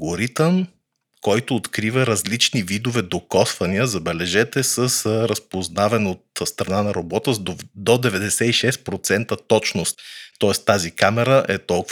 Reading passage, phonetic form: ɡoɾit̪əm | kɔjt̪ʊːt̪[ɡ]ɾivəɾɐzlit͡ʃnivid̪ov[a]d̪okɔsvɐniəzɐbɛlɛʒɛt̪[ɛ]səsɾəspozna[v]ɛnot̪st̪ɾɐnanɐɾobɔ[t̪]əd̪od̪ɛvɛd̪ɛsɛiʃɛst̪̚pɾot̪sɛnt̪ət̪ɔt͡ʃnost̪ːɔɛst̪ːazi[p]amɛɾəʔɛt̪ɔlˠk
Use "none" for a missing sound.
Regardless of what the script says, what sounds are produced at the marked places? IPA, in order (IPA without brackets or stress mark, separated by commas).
k, ɛ, ɛ, v, t̪, k